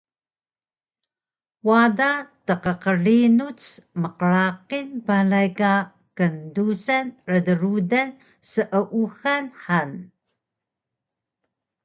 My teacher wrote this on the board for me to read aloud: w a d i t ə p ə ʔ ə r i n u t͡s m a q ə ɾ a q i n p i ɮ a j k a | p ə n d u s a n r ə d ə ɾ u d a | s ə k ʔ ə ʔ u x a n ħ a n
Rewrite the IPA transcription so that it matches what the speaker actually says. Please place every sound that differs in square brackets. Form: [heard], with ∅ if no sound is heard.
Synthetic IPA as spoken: w a d [a] t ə [q] ə [q] ə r i n u t͡s m [ə] q ə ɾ a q i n p [a] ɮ a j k a | [k] ə n d u s a n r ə d ə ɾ u d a | s ə [∅] ʔ ə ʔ u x a n ħ a n